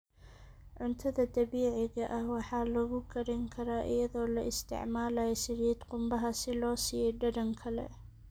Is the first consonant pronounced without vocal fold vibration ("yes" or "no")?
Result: no